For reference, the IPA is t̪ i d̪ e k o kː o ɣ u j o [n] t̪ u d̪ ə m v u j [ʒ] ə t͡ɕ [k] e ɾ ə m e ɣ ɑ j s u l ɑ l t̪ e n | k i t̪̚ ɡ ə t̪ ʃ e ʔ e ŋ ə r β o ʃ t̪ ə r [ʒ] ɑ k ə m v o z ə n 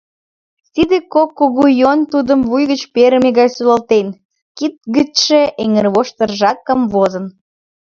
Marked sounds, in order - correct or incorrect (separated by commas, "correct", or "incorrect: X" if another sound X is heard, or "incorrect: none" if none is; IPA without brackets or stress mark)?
correct, incorrect: ɣ, incorrect: p, correct